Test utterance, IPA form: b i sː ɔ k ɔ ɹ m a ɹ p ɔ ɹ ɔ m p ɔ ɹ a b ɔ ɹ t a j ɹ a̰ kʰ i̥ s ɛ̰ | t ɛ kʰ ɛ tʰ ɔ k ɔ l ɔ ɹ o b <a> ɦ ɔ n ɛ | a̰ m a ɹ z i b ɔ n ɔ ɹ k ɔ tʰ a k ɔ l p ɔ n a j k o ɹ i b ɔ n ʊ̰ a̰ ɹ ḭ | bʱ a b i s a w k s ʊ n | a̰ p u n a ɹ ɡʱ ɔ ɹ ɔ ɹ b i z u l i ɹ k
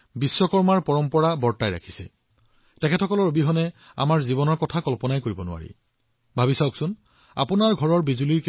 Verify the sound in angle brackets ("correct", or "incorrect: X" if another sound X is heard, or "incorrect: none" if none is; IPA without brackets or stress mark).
incorrect: i